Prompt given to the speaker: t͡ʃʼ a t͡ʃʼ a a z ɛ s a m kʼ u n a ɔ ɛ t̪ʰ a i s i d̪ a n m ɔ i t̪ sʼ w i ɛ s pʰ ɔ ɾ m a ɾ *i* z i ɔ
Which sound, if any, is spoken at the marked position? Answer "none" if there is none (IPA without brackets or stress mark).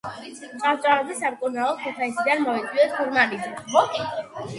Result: i